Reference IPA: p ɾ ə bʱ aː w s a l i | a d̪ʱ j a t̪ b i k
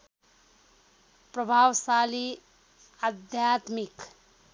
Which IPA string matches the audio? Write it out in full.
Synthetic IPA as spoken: p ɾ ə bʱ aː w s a l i | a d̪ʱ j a t̪ m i k